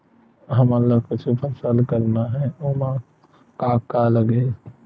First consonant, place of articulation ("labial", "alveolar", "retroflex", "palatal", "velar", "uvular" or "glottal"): glottal